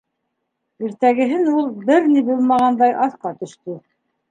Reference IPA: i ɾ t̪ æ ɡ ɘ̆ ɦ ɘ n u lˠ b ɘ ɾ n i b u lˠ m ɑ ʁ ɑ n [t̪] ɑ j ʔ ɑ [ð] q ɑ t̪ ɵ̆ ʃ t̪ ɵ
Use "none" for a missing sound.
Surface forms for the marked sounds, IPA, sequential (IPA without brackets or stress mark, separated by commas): d̪, θ